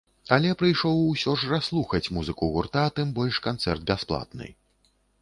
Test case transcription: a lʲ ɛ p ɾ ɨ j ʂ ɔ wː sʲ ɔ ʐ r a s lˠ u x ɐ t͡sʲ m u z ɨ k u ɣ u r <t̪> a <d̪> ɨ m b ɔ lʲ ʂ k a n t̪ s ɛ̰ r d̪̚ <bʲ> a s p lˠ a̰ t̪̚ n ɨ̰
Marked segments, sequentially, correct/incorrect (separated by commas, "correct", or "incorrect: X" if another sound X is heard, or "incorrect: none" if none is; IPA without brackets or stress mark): correct, incorrect: t̪, correct